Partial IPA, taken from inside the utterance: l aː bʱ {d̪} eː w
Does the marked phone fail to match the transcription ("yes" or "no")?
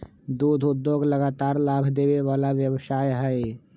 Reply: no